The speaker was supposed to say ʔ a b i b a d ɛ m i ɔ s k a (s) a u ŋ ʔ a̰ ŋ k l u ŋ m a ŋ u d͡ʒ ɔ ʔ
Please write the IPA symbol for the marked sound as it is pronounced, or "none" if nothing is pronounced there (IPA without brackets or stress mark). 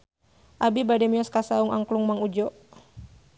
s